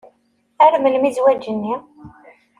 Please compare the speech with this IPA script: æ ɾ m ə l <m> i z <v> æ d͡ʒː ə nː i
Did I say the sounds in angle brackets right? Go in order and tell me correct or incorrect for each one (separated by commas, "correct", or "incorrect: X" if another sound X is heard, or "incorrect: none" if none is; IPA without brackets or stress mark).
correct, incorrect: w